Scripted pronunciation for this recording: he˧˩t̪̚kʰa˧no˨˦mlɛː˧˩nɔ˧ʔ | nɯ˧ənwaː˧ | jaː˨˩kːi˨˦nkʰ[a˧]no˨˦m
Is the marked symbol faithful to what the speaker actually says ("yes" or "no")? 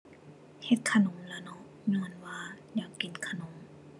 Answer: yes